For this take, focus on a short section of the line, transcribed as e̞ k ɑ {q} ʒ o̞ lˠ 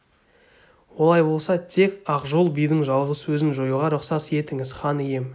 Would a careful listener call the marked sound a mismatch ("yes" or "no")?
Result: no